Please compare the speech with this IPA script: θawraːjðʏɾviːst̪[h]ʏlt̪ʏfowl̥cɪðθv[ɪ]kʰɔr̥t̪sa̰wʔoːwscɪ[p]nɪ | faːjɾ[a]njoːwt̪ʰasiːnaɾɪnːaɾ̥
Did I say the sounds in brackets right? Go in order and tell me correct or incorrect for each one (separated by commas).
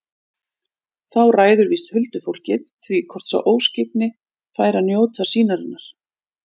correct, incorrect, correct, correct